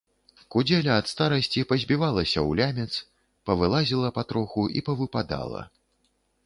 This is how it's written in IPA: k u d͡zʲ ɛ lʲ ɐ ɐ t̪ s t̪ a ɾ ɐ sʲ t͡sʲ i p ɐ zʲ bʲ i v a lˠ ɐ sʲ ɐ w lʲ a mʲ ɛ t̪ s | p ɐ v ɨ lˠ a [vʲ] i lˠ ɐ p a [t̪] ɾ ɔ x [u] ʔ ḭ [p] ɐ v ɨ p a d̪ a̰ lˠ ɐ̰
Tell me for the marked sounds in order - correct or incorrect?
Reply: incorrect: zʲ, correct, correct, correct

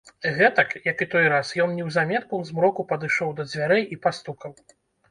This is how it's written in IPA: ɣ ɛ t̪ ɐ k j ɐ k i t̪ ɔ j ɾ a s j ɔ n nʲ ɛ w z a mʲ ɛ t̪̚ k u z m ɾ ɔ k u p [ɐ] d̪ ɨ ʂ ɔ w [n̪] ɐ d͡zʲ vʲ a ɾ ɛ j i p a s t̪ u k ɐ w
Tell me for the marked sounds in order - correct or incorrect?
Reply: correct, incorrect: d̪

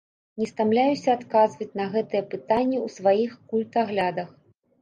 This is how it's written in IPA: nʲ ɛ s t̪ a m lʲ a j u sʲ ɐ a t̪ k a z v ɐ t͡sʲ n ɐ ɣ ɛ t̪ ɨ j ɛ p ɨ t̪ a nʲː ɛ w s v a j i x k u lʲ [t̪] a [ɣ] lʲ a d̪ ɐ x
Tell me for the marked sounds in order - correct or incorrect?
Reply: correct, correct

